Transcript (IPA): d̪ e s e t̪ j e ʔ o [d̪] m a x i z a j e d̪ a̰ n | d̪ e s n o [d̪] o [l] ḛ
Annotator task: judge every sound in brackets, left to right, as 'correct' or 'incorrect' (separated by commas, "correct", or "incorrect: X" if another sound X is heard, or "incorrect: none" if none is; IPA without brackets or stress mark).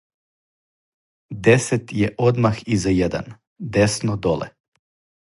correct, correct, correct